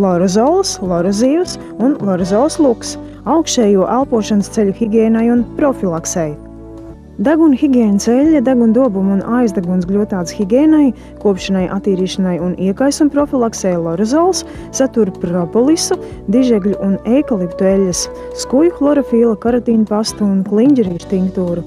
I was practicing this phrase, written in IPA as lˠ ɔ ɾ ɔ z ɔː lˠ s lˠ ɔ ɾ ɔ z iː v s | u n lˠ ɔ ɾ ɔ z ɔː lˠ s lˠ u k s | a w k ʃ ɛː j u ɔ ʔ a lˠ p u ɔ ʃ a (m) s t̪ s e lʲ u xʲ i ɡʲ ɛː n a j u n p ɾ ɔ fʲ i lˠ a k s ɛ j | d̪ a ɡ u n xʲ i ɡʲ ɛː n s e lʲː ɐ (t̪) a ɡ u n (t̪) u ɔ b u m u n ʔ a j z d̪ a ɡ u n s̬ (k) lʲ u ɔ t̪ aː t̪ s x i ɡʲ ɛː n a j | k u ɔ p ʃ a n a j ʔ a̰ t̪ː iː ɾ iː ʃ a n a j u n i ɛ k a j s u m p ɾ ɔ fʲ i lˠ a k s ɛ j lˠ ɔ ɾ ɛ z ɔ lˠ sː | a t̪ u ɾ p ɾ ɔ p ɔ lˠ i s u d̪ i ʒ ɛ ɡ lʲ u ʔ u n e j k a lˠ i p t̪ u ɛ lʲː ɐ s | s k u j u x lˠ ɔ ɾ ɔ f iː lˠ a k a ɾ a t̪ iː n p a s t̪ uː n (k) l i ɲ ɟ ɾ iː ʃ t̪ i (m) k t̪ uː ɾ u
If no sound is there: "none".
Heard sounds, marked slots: n, d̪, d̪, ɡ, k, ŋ

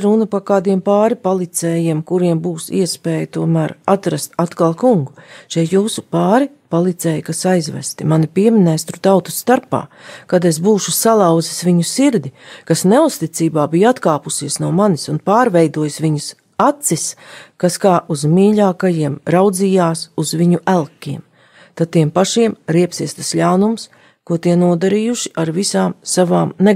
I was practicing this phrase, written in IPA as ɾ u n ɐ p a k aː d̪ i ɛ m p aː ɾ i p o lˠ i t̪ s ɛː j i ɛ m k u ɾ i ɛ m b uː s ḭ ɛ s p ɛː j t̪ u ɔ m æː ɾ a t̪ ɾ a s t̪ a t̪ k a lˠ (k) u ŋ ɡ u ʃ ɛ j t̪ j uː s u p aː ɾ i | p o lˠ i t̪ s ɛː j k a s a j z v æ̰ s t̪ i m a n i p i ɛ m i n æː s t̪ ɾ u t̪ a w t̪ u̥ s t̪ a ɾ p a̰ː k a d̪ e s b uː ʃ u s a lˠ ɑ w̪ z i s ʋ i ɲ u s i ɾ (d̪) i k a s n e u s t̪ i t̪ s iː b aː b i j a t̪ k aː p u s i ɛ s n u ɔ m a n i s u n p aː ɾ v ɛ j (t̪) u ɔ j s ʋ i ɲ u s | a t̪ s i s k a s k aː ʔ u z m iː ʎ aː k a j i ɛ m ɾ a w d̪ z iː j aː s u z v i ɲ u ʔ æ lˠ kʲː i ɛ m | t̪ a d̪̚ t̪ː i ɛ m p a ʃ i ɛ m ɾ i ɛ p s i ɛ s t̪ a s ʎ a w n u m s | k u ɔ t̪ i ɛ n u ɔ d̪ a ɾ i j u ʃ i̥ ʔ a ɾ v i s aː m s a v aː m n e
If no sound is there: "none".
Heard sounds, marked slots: k, d̪, d̪

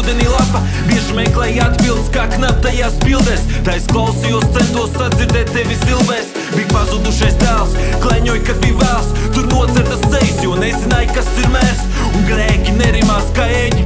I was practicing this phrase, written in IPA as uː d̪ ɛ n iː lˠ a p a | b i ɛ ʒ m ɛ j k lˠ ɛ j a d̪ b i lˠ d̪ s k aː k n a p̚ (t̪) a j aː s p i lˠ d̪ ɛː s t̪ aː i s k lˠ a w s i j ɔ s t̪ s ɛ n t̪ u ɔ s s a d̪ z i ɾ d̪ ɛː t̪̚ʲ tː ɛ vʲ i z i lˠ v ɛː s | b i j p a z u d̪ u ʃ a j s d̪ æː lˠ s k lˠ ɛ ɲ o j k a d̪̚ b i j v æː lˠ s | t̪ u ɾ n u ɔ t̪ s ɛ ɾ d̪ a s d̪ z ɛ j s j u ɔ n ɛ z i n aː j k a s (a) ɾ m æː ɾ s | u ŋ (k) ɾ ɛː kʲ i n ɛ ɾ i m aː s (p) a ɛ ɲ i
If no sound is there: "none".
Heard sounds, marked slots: t̪, i, ɡ, k

